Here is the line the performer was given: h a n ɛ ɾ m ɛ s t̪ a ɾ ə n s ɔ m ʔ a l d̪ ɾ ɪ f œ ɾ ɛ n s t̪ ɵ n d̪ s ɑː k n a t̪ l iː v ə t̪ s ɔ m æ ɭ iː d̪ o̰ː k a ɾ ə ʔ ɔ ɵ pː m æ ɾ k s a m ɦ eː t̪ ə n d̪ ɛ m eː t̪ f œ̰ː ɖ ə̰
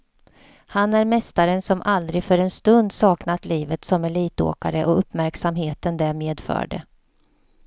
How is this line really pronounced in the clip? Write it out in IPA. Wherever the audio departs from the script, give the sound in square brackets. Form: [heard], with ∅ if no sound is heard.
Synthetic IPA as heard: h a n [æ] ɾ m ɛ s t̪ a ɾ ə n s ɔ m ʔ a l d̪ ɾ ɪ f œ ɾ ɛ n s t̪ ɵ n d̪ s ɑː k n a t̪ l iː v ə t̪ s ɔ m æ ɭ iː [t̪] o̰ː k a ɾ ə ʔ ɔ ɵ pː m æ ɾ k s a m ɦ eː t̪ ə n d̪ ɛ m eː [d̪] f œ̰ː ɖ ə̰

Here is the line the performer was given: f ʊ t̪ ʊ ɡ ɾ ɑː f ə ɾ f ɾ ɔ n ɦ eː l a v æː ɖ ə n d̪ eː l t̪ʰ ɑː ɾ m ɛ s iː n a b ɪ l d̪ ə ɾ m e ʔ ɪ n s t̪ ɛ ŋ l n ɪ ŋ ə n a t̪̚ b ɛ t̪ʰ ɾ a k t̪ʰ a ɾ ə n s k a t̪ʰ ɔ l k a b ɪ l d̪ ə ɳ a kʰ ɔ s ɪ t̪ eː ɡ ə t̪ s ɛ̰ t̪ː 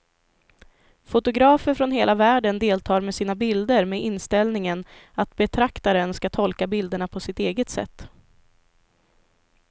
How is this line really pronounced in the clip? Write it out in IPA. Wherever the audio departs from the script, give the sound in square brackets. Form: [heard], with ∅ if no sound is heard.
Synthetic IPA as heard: f ʊ t̪ ʊ ɡ ɾ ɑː f ə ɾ f ɾ ɔ n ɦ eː l a v æː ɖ ə n d̪ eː l t̪ʰ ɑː ɾ m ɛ s iː n a b ɪ l d̪ ə ɾ m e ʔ ɪ n s t̪ ɛ [∅] l n ɪ ŋ ə n a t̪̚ b ɛ t̪ʰ ɾ a k [t̪] a ɾ ə n s k a t̪ʰ ɔ l k a b ɪ l d̪ ə ɳ a [pʰ] ɔ s ɪ t̪ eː ɡ ə t̪ s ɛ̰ t̪ː

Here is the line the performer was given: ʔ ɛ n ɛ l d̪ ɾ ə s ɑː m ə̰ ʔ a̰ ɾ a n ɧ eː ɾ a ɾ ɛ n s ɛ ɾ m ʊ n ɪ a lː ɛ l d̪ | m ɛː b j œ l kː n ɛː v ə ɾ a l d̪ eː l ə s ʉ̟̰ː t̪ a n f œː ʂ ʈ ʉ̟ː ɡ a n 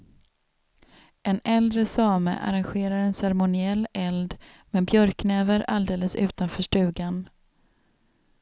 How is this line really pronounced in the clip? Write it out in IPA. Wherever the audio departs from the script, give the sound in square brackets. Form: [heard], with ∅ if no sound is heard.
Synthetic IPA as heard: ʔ ɛ n ɛ l d̪ ɾ ə s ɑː m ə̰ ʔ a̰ ɾ a n ɧ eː ɾ a ɾ ɛ n s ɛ ɾ m ʊ n ɪ [ɛ] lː ɛ l d̪ | m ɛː b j œ [ɾ] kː n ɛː v ə ɾ a l d̪ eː l ə s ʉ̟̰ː t̪ a n f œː ʂ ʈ ʉ̟ː ɡ a n

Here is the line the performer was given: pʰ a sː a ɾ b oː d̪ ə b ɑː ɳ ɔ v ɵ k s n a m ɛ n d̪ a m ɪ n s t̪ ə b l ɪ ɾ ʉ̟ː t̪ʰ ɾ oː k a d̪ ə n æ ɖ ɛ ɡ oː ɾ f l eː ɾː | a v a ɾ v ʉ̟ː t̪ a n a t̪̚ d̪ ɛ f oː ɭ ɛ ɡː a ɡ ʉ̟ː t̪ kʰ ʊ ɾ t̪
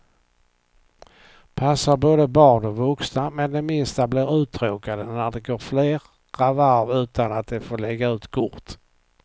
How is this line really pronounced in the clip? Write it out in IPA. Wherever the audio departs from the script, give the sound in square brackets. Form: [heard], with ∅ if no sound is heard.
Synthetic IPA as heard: pʰ a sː a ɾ b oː d̪ ə b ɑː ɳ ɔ v ɵ k s n a m ɛ n d̪ [ɛ] m ɪ n s t̪ [a] b l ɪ ɾ ʉ̟ː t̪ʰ ɾ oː k a d̪ ə n æ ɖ ɛ ɡ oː ɾ f l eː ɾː | a v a ɾ v ʉ̟ː t̪ a n a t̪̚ d̪ ɛ f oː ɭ ɛ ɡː a [∅] ʉ̟ː t̪ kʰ ʊ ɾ t̪

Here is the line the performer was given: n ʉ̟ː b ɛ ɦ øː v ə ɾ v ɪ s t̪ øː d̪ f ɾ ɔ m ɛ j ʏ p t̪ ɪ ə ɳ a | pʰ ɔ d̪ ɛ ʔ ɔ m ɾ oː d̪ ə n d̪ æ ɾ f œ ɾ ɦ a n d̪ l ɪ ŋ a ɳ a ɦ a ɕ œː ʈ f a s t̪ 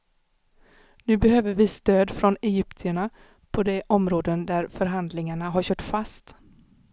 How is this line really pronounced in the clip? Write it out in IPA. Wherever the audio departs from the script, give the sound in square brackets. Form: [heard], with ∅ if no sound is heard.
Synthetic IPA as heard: n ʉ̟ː b ɛ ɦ øː v ə ɾ v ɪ s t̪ øː d̪ f ɾ ɔ [n] ɛ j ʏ p t̪ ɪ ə ɳ a | pʰ ɔ d̪ ɛ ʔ ɔ m ɾ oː d̪ ə n d̪ æ ɾ f œ ɾ ɦ a n d̪ l ɪ ŋ a ɳ a ɦ a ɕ œː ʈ f a s t̪

